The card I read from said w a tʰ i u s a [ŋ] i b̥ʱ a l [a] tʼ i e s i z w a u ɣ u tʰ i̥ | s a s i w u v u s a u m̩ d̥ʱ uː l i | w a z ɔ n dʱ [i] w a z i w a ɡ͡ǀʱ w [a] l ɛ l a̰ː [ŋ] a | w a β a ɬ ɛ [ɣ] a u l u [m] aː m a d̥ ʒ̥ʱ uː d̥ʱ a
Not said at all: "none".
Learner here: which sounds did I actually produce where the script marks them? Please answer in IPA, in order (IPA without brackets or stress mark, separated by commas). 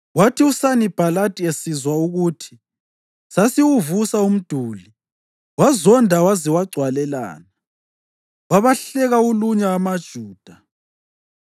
n, a, a, a, n, ɣ, ɲ